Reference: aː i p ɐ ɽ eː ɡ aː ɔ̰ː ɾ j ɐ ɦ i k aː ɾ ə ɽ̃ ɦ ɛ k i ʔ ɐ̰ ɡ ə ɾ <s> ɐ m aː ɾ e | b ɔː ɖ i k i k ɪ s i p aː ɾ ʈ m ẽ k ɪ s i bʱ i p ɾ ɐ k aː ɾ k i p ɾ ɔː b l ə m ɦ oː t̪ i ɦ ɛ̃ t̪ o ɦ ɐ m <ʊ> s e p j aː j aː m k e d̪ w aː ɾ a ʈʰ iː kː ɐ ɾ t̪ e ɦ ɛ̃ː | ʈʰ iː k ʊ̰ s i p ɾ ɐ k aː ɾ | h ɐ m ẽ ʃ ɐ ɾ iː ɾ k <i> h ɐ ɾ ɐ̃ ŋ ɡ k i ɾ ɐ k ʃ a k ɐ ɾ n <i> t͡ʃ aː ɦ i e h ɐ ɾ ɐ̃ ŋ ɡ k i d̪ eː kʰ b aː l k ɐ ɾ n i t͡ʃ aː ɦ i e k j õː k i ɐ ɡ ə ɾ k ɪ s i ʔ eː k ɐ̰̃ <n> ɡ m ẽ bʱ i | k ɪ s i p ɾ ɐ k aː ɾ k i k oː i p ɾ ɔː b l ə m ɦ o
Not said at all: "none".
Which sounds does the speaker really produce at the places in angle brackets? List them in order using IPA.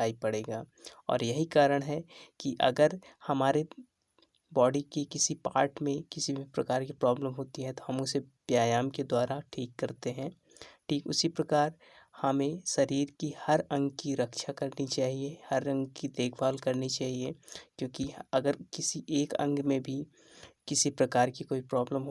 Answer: h, ʊ, i, i, ŋ

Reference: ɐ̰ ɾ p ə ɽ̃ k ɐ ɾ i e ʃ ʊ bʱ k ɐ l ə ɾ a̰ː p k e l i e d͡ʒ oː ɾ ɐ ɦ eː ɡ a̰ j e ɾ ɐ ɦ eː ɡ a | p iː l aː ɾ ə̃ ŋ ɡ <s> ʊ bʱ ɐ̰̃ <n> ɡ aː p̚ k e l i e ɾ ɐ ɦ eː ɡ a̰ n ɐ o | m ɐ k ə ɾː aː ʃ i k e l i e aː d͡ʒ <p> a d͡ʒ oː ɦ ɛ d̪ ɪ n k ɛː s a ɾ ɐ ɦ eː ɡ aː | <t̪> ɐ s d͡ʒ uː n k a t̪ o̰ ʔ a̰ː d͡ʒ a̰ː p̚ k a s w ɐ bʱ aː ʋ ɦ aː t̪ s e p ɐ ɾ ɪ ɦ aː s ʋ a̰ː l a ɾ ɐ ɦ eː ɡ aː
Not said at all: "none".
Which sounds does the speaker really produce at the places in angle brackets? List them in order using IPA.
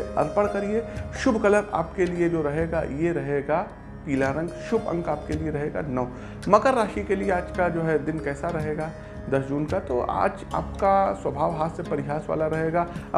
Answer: ʃ, ŋ, k, d̪

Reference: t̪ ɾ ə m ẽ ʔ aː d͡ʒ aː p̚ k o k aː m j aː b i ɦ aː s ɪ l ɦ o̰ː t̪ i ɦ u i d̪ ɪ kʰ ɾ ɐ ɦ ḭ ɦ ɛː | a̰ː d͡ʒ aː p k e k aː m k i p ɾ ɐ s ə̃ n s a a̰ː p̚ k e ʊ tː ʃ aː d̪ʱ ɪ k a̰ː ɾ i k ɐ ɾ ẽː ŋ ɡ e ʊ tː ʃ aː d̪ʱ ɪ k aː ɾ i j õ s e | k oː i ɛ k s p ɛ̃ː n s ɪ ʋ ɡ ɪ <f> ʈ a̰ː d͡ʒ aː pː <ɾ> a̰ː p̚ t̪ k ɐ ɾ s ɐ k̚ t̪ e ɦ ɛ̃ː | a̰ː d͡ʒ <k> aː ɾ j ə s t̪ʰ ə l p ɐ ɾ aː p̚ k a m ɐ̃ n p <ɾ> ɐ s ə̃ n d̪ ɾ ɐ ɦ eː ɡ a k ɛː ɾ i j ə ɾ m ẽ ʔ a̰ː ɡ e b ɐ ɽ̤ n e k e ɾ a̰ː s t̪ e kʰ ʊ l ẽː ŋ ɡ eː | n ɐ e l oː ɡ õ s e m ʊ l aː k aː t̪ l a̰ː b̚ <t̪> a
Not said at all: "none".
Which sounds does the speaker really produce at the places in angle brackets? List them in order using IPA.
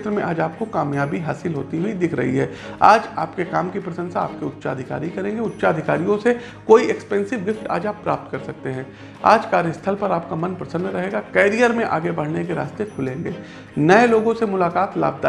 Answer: f, ɾ, k, ɾ, d̪

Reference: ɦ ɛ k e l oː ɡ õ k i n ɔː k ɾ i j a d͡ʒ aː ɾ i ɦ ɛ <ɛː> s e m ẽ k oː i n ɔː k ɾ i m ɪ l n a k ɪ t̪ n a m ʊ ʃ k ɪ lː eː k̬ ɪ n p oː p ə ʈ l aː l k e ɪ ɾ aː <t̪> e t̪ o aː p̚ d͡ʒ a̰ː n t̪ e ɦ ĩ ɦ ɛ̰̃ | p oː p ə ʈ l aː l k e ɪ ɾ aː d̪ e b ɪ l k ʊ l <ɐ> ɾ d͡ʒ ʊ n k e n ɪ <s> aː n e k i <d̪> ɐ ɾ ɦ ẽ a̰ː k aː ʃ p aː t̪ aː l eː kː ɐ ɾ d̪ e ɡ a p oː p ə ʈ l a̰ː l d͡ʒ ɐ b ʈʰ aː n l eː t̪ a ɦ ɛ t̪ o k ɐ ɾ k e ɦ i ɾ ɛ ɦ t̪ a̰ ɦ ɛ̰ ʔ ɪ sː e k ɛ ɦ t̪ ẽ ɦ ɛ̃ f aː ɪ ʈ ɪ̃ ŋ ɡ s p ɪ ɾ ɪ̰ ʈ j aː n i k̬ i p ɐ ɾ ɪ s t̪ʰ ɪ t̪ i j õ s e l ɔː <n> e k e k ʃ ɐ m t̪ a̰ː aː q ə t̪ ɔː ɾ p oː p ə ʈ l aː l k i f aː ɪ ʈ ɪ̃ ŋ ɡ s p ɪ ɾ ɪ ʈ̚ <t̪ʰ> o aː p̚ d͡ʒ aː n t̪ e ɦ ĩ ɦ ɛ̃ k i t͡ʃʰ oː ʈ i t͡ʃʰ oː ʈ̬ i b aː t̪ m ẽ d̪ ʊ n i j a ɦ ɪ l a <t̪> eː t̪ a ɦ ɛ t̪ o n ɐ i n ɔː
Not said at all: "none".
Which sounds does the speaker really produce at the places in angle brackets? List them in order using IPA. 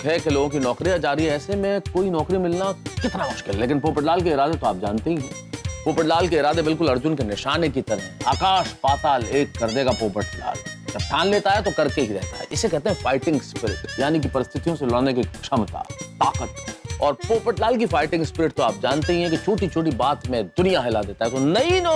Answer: ɛː, d̪, ɐ, ʃ, t̪, n, t̪, d̪

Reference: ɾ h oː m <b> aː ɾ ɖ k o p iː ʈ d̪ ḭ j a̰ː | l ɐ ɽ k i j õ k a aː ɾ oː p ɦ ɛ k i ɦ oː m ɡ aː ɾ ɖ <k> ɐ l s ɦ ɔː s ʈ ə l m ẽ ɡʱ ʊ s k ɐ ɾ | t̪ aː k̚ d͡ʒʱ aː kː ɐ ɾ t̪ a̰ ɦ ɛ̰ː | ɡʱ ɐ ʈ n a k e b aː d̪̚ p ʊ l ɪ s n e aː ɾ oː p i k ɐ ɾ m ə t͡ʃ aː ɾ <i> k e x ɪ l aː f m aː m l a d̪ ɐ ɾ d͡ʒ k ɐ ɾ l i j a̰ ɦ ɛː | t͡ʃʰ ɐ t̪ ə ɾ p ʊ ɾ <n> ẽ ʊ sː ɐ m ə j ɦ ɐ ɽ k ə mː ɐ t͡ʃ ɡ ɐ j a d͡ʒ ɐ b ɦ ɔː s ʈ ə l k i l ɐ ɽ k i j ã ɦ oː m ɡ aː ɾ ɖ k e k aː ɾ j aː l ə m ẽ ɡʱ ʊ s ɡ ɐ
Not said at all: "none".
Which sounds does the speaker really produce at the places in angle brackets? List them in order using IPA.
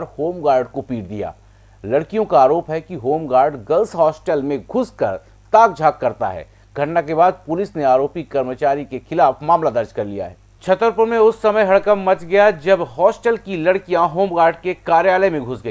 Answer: ɡ, ɡ, i, m

